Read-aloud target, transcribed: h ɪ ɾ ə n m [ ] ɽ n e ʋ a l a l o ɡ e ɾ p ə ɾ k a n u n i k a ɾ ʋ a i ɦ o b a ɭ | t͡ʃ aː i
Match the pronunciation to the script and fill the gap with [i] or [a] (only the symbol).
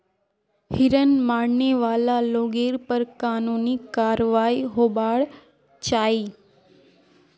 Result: a